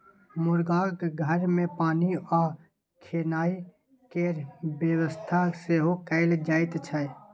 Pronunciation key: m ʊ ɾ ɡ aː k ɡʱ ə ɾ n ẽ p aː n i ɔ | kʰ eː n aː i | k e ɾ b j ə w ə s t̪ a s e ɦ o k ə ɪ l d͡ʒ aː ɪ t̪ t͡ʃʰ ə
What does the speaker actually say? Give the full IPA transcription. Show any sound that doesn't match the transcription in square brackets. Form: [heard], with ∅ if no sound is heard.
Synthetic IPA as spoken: m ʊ ɾ ɡ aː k ɡʱ ə ɾ [m] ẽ p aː n i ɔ | kʰ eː n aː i | k e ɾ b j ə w ə s [t̪ʰ] a s e ɦ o k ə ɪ l d͡ʒ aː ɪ t̪ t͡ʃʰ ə